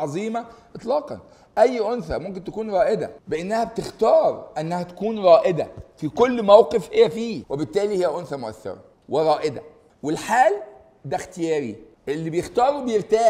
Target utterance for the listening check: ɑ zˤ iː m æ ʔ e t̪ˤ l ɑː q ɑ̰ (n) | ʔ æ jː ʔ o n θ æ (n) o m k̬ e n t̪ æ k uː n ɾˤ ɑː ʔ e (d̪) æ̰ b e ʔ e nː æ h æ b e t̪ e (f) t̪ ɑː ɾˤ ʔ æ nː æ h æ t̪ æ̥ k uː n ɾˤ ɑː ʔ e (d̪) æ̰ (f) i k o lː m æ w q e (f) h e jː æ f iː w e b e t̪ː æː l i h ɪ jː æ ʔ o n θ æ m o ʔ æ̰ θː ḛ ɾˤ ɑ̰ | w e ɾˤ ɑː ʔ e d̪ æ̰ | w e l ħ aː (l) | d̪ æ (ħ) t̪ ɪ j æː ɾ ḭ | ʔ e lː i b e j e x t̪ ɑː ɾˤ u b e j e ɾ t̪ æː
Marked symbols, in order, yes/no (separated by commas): yes, no, yes, no, yes, yes, yes, yes, no